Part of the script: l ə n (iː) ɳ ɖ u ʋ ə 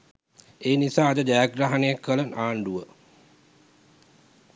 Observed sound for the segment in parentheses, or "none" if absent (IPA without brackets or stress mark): aː